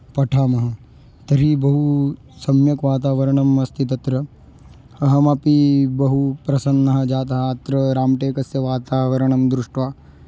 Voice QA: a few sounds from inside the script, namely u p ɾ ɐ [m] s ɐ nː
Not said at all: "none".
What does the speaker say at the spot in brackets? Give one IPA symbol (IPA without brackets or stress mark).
none